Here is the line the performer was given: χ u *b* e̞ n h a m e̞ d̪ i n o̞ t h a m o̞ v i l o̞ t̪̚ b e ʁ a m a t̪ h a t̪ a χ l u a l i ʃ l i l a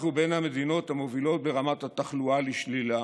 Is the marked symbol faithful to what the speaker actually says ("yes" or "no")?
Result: yes